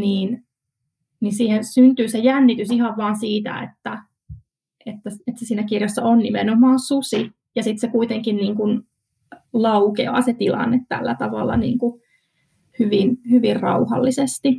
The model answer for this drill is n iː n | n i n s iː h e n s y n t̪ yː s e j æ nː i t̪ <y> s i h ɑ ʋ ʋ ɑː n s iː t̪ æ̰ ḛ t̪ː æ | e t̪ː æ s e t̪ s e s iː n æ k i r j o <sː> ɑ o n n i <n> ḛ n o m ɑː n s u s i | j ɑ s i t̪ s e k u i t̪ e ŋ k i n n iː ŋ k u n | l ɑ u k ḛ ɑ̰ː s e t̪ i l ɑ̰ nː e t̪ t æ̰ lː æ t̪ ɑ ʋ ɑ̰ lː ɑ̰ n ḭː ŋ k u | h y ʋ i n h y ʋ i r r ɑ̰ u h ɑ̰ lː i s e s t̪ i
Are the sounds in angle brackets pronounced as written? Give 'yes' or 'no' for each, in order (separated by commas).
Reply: yes, yes, no